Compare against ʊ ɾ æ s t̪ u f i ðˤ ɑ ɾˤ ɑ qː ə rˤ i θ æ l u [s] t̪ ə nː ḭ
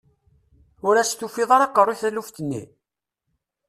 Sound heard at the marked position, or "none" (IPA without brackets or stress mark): f